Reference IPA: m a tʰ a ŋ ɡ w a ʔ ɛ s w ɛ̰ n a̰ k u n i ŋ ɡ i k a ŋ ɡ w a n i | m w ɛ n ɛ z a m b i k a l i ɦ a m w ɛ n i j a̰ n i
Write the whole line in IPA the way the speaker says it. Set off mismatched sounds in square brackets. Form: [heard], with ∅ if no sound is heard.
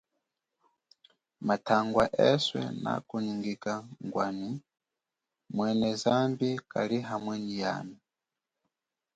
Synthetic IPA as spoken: m a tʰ a ŋ ɡ w a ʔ ɛ s w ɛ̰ n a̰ k u n i ŋ ɡ i k a ŋ ɡ w a n i | m w ɛ n ɛ z a m b i k a l i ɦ a m w ɛ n i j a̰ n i